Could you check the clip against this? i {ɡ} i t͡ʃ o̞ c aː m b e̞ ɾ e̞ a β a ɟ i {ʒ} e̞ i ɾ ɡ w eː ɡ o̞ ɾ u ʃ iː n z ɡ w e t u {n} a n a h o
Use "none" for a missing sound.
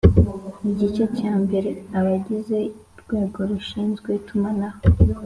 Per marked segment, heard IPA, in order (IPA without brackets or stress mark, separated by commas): ɟ, z, m